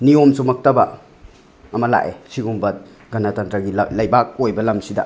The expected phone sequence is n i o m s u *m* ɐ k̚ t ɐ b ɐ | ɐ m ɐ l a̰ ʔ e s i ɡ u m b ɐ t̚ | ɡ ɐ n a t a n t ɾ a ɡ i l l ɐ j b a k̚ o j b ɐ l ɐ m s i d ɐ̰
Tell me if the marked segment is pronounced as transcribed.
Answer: yes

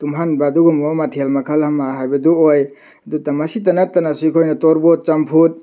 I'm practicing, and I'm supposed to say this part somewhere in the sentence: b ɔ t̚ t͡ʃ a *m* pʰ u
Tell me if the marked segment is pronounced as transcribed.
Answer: yes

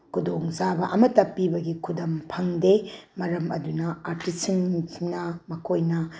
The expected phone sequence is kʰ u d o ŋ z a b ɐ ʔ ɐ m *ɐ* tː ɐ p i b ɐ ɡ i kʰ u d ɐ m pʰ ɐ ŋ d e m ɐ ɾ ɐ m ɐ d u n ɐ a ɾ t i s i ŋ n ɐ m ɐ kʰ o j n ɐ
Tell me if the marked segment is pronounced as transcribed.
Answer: yes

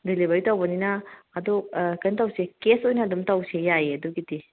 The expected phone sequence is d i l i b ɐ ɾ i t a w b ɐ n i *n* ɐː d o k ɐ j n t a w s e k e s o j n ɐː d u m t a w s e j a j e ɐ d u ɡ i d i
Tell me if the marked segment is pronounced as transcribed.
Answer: yes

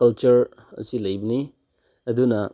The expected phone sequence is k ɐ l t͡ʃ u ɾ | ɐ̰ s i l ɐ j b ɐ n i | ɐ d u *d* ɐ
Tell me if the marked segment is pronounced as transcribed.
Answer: no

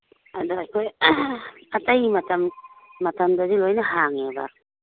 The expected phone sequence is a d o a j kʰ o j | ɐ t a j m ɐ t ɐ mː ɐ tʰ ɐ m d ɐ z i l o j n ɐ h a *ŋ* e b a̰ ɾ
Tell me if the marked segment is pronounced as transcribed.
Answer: yes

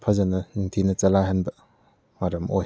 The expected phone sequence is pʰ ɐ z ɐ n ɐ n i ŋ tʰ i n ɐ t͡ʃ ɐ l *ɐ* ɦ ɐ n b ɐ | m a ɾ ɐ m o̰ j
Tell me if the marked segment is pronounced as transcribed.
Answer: no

